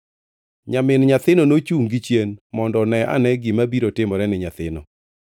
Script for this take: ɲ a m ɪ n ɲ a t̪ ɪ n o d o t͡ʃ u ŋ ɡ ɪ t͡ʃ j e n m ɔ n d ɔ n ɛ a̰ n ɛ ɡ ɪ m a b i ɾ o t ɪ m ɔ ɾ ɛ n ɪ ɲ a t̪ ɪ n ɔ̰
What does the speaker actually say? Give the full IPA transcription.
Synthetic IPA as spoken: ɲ a m ɪ n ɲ a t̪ ɪ n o n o t͡ʃ u ŋ ɡ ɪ t͡ʃ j e n m ɔ n d ɔ n ɛ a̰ n ɛ ɡ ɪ m a b i ɾ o t ɪ m ɔ ɾ ɛ n ɪ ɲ a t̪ ɪ n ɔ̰